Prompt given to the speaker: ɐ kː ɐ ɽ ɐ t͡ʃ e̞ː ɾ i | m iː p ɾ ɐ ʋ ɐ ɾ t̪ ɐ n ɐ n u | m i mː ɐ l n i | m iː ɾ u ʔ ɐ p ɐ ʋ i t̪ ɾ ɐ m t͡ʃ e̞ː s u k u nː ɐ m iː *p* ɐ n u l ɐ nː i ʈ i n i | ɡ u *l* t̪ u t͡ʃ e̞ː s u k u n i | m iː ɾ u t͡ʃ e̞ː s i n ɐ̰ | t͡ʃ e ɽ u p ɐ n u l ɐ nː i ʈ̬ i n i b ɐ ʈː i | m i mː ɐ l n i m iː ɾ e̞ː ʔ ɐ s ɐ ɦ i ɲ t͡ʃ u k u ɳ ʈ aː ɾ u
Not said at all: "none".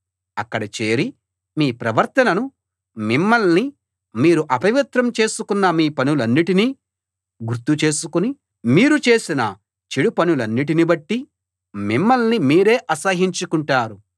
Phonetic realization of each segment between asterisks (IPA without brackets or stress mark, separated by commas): p, ɾ